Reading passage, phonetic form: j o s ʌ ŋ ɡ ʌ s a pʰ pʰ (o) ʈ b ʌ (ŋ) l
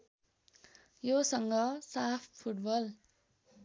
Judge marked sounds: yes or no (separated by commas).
no, no